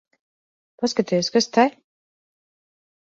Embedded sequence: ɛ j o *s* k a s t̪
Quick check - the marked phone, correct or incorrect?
correct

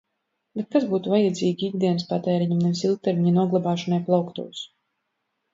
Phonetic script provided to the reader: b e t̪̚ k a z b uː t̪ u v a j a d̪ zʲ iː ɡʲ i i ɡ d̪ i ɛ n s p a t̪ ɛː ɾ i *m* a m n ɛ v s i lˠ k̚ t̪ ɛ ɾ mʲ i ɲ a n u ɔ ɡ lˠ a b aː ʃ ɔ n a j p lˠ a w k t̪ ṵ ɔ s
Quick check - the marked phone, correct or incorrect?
incorrect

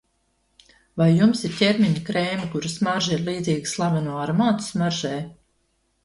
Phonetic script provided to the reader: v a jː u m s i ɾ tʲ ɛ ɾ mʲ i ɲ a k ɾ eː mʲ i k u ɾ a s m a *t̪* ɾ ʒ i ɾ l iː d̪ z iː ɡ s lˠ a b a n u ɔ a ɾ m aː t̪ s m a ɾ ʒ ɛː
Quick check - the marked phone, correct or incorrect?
incorrect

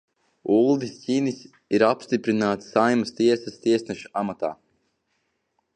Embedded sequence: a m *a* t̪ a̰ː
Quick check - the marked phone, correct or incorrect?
correct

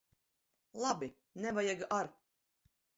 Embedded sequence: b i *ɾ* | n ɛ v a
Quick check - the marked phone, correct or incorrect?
incorrect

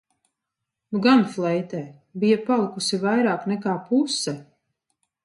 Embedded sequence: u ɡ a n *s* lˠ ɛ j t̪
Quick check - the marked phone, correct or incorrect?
incorrect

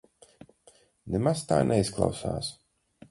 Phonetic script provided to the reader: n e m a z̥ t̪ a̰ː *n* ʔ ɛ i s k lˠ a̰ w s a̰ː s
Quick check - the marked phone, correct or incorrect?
correct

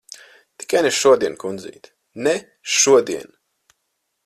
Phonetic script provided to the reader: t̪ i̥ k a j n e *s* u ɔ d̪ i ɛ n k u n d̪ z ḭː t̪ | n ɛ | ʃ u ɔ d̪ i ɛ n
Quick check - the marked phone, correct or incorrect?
incorrect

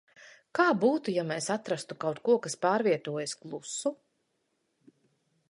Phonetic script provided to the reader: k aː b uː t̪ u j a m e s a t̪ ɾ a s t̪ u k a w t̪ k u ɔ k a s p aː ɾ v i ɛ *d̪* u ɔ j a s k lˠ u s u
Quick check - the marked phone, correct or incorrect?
incorrect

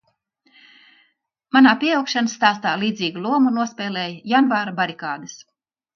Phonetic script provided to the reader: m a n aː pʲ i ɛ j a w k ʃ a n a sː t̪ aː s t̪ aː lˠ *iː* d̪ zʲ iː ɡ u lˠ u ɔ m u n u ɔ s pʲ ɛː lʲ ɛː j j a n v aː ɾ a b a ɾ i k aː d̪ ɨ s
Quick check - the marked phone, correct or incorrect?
correct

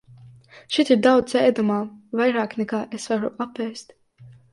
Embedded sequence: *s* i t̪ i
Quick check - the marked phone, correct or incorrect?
incorrect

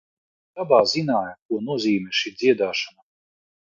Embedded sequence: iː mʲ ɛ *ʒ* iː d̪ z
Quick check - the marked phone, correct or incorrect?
incorrect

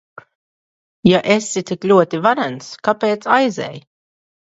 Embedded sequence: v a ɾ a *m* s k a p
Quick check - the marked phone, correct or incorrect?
incorrect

